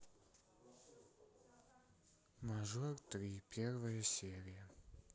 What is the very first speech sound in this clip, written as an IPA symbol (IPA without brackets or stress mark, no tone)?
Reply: m